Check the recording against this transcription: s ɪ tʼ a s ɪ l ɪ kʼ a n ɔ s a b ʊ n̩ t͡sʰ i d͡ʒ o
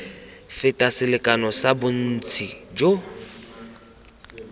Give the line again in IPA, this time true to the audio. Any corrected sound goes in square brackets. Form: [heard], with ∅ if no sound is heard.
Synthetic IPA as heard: [f] ɪ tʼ a s ɪ l ɪ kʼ a n ɔ s a b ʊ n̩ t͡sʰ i d͡ʒ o